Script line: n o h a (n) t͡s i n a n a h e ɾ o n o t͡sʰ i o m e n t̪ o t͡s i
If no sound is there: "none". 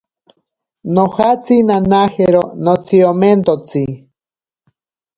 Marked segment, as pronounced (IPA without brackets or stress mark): none